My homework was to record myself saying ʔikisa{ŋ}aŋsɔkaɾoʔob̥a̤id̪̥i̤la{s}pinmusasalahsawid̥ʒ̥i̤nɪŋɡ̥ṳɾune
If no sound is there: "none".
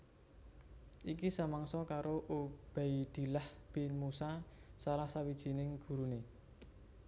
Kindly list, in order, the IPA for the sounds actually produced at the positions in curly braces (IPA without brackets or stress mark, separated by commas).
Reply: m, h